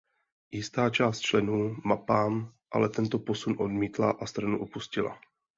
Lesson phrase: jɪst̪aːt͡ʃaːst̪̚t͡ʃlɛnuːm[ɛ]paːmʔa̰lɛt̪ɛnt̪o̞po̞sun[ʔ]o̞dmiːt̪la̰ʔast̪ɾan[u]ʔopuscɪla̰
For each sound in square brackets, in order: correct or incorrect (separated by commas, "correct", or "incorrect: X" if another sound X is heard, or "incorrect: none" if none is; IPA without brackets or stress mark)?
incorrect: a, correct, correct